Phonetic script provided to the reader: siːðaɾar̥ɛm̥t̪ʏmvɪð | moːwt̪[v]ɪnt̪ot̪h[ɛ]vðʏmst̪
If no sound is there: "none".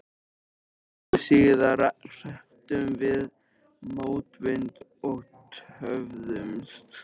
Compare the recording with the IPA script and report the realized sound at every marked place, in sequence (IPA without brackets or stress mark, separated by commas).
v, œ